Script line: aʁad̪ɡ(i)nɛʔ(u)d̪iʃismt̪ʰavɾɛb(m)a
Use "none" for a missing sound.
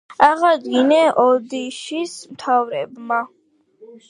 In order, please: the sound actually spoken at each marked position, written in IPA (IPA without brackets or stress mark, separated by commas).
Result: i, ɔ, m